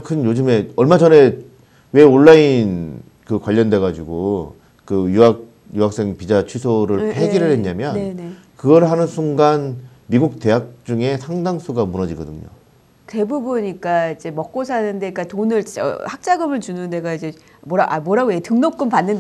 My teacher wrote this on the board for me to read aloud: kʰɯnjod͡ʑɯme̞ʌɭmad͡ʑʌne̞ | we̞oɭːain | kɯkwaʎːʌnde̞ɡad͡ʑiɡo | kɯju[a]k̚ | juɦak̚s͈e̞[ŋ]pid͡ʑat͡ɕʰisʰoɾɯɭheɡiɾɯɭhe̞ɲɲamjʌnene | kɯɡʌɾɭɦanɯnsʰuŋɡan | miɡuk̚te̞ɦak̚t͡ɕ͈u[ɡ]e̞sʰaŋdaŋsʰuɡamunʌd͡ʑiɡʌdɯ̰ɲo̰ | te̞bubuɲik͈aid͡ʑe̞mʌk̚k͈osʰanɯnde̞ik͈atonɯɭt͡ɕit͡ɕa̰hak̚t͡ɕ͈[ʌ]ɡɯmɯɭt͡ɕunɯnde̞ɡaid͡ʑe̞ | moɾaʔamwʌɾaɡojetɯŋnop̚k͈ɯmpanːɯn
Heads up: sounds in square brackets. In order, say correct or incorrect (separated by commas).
correct, correct, incorrect, incorrect